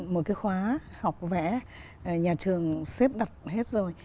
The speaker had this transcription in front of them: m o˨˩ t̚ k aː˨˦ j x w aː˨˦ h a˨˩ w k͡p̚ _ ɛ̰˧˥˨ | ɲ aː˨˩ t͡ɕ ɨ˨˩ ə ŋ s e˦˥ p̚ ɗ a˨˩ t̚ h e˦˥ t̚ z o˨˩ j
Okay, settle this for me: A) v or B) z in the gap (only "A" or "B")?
A